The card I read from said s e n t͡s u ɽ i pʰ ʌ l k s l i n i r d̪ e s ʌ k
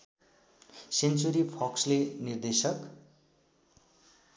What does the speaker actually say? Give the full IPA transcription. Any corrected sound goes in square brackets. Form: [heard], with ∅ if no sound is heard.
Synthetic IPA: s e n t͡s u [ɾ] i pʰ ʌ [∅] k s l [e] n i r d̪ e s ʌ k